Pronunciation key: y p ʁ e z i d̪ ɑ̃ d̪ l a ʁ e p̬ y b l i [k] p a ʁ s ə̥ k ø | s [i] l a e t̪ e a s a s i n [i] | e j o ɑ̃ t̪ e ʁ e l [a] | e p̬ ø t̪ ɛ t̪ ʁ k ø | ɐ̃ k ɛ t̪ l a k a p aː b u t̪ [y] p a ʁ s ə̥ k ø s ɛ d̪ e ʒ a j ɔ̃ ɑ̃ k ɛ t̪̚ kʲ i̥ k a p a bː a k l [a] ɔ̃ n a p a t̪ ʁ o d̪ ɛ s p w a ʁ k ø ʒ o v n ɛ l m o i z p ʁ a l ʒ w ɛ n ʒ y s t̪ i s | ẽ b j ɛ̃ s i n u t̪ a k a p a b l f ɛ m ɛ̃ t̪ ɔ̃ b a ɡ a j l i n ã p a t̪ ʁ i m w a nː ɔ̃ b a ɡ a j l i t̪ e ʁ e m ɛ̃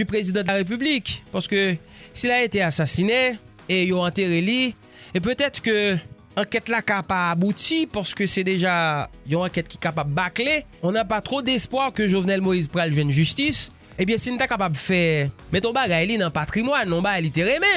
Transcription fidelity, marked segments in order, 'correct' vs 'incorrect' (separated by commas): correct, correct, incorrect, incorrect, incorrect, incorrect